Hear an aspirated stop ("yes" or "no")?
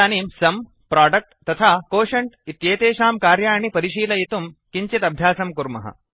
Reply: yes